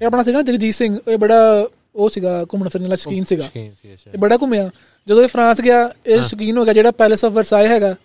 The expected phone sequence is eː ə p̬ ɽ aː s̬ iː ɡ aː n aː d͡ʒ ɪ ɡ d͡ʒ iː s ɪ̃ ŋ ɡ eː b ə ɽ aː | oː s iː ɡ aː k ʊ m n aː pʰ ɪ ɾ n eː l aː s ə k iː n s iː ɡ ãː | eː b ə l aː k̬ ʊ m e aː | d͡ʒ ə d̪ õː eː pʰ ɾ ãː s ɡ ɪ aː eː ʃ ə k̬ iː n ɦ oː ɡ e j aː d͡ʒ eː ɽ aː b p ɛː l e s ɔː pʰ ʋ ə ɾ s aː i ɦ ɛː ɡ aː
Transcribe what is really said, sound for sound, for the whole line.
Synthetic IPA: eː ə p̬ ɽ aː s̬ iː ɡ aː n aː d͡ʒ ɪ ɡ d͡ʒ iː s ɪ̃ ŋ ɡ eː b ə ɽ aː | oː s iː ɡ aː k ʊ m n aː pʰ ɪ ɾ n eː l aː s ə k iː n s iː ɡ aː | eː b ə ɽ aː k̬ ʊ m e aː | d͡ʒ ə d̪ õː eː pʰ ɾ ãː s ɡ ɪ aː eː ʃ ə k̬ iː n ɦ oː ɡ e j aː d͡ʒ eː ɽ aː p ɛː l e s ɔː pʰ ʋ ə ɾ s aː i ɦ ɛː ɡ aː